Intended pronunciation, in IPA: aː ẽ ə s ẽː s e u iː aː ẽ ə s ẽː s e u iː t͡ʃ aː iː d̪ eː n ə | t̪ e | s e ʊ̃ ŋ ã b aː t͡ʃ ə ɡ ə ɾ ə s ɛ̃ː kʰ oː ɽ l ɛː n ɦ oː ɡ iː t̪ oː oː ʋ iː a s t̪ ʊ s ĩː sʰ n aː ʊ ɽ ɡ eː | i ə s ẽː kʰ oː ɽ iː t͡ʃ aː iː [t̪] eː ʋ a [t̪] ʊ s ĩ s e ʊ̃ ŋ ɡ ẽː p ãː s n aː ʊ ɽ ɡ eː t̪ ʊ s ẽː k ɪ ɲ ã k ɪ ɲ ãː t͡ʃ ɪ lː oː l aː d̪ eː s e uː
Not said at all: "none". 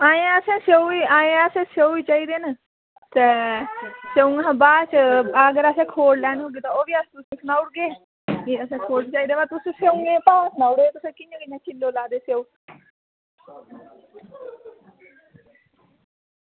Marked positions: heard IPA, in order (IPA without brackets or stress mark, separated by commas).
d̪, t̪